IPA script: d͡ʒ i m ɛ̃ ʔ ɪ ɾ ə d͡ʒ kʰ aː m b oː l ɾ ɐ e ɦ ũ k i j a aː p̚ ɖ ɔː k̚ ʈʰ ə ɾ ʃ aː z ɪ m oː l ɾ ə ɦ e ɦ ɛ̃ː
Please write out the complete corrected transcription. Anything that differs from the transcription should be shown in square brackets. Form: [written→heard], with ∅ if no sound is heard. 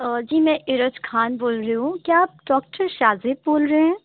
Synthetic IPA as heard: d͡ʒ [i→iː] m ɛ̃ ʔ ɪ ɾ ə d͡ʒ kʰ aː [m→n] b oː l ɾ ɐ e ɦ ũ k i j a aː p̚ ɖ ɔː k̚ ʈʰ ə ɾ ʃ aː z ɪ [m→b] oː l ɾ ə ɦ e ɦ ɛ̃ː